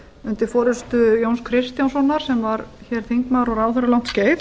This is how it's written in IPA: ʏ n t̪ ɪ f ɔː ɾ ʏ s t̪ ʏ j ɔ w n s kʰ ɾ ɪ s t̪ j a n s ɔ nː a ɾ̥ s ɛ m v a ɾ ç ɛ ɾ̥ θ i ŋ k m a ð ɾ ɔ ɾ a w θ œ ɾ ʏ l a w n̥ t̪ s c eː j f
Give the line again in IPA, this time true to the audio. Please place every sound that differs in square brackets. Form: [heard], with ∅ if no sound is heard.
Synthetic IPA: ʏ n t̪ ɪ f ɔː ɾ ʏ s t̪ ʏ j [o] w n s kʰ ɾ ɪ s t̪ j a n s ɔ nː a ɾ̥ s ɛ m v a ɾ ç ɛ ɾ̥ θ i ŋ k m a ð ɾ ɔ ɾ a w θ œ ɾ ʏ l a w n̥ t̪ s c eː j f